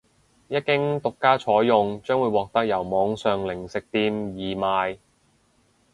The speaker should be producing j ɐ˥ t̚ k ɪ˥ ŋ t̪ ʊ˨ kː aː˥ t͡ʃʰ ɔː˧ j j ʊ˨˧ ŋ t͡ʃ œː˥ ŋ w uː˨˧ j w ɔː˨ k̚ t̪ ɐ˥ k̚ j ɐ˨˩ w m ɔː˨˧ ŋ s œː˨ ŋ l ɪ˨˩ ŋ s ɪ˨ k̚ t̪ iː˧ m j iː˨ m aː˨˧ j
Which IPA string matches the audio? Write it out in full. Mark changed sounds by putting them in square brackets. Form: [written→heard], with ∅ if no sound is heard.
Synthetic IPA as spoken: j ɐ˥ t̚ k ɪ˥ ŋ t̪ ʊ˨ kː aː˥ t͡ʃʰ [ɔː˧→ɔː˨˥] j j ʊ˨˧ ŋ t͡ʃ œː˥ ŋ w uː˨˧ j w ɔː˨ k̚ t̪ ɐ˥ k̚ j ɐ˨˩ w m ɔː˨˧ ŋ s œː˨ ŋ l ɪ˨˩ ŋ s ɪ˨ k̚ t̪ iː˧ m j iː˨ m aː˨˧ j